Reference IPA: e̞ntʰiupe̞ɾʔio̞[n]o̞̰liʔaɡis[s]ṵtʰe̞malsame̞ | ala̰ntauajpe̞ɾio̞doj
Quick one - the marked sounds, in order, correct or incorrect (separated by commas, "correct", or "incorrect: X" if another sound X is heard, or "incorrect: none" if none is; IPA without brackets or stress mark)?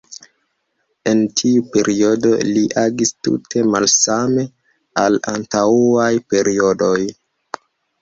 incorrect: d, incorrect: t